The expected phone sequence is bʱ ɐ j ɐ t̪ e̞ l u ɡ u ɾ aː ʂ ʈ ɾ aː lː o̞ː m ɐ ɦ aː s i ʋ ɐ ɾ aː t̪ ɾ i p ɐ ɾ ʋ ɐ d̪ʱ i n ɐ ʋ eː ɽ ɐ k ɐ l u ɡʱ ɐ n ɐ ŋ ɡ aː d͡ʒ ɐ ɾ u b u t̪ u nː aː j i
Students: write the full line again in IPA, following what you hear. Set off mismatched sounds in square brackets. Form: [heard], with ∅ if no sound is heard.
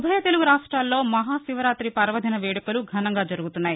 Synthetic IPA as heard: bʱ ɐ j ɐ t̪ e̞ l u ɡ u ɾ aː ʂ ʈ ɾ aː lː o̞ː m ɐ ɦ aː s i ʋ ɐ ɾ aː t̪ ɾ i p ɐ ɾ ʋ ɐ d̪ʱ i n ɐ ʋ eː ɽ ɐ k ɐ l u ɡʱ ɐ n ɐ ŋ ɡ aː d͡ʒ ɐ ɾ u [ɡ] u t̪ u nː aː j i